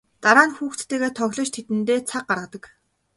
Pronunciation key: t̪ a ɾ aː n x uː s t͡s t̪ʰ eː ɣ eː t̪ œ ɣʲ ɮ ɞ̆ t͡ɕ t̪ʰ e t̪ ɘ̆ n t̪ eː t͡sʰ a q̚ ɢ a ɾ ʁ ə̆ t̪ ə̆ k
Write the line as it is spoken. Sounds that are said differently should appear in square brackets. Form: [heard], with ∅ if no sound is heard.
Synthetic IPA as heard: t̪ a ɾ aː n x uː [x] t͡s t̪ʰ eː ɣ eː [t̪ʰ] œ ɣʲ ɮ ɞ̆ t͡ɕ t̪ʰ e t̪ ɘ̆ n t̪ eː t͡sʰ a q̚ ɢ a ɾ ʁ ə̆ t̪ ə̆ k